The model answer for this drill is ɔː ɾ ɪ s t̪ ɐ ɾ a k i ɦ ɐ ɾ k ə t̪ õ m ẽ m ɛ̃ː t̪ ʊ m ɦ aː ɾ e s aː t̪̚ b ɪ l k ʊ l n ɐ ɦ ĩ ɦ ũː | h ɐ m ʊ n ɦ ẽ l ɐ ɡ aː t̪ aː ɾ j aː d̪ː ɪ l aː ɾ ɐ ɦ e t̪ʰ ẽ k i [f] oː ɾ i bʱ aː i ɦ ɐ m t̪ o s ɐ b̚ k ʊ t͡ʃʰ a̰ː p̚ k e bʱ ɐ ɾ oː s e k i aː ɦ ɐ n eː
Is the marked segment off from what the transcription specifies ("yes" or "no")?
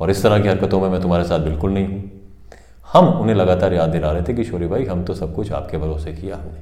yes